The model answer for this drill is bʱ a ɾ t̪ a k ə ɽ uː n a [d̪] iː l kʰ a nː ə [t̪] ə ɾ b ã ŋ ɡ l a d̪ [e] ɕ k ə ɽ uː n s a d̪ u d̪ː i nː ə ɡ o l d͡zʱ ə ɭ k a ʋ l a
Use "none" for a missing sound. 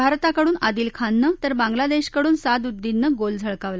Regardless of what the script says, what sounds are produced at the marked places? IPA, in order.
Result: d̪, t̪, e

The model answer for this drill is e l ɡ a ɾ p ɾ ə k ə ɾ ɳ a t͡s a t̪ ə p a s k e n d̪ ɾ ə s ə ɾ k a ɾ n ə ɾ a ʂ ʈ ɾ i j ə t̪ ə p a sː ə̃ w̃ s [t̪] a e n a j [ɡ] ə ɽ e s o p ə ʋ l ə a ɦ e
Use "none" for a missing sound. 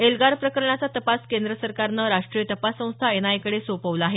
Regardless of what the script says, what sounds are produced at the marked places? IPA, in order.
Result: t̪ʰ, k

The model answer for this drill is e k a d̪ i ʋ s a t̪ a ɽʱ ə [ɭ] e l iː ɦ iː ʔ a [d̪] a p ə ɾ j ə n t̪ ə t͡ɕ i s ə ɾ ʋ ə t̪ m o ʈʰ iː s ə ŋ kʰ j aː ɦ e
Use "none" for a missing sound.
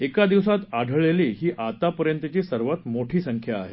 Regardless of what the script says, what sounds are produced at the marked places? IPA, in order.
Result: ɭ, t̪

